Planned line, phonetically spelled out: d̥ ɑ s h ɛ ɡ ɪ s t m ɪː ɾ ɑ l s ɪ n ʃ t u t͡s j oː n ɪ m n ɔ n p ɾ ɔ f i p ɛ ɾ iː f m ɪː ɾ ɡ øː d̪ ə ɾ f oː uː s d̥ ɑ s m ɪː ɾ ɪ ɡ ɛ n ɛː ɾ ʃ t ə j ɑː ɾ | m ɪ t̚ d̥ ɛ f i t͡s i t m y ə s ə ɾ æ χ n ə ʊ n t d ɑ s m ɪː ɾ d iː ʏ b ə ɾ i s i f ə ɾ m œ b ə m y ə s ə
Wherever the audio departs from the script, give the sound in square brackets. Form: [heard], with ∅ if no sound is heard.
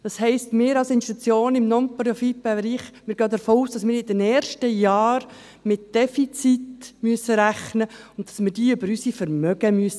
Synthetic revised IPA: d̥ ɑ s h ɛ [∅] ɪ s t m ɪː ɾ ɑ l s ɪ n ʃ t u t͡s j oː n ɪ m n ɔ n p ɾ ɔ f i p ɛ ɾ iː [χ] m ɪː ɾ ɡ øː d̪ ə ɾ f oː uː s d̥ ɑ s m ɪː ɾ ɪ [d] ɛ n ɛː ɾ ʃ t ə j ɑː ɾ | m ɪ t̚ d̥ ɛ f i t͡s i t m y ə s ə ɾ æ χ n ə ʊ n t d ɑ s m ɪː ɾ d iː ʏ b ə ɾ [y] s i f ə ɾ m œ [ɡ] ə m y ə s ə